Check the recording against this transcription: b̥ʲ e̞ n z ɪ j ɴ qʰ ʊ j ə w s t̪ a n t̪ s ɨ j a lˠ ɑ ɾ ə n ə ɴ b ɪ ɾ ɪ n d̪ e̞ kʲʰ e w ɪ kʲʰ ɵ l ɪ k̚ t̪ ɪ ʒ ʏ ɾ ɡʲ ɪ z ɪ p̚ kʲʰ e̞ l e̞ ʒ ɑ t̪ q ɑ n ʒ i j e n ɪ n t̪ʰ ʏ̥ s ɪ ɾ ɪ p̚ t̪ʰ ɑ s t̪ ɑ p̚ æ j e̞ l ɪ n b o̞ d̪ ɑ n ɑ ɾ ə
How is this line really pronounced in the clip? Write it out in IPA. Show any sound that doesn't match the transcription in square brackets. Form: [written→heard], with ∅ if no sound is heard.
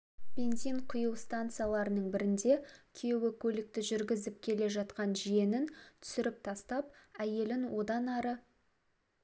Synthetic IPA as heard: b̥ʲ e̞ n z [ɪ→i] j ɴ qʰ ʊ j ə w s t̪ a n t̪ s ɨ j a lˠ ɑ ɾ ə n ə ɴ b ɪ ɾ ɪ n d̪ e̞ kʲʰ e w ɪ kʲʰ ɵ l ɪ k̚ t̪ ɪ ʒ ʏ ɾ ɡʲ ɪ z ɪ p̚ kʲʰ e̞ l e̞ ʒ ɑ t̪ q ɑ n ʒ i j e n ɪ n t̪ʰ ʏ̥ s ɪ ɾ ɪ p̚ t̪ʰ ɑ s t̪ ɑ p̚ æ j e̞ l ɪ n [b→w] o̞ d̪ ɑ n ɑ ɾ ə